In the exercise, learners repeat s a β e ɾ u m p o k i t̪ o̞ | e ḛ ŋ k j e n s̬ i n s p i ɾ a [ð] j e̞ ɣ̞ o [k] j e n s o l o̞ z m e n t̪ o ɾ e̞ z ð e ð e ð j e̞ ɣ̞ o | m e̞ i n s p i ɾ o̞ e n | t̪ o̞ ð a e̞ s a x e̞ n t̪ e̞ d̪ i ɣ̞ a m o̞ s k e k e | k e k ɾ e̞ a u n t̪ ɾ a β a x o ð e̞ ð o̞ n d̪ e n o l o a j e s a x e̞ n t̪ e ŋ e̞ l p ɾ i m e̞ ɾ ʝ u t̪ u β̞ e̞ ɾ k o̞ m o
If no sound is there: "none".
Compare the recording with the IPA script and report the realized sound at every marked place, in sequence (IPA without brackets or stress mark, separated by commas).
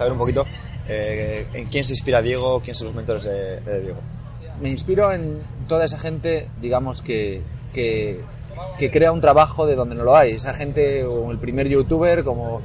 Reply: ð, k